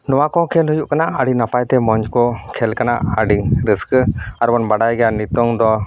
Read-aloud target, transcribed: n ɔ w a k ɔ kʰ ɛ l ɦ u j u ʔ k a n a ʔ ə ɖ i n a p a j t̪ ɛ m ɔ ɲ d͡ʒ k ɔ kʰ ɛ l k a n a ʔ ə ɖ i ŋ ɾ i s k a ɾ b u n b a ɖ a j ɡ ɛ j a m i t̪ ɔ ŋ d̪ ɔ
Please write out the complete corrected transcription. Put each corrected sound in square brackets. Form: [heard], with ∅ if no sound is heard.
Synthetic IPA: n ɔ w a k ɔ kʰ ɛ l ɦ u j u ʔ k a n a ʔ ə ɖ i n a p a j t̪ ɛ m ɔ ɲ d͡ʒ k ɔ kʰ ɛ l k a n a ʔ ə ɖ i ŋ ɾ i s k a ɾ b [ɔ] n b a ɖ a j ɡ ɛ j a [n] i t̪ ɔ ŋ d̪ ɔ